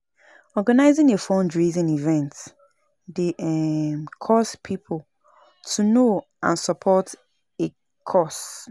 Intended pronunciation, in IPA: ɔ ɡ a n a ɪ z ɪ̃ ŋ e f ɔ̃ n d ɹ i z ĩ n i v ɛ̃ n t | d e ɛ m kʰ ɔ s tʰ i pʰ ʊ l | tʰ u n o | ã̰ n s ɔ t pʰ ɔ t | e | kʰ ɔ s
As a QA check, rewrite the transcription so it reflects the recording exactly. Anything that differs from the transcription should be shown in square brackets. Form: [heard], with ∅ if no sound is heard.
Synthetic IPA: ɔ ɡ a n a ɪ z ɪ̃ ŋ e f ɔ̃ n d ɹ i z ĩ n i v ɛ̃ n t | d e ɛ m kʰ ɔ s [pʰ] i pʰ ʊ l | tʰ u n o | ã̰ n s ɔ [∅] pʰ ɔ t | e | kʰ ɔ s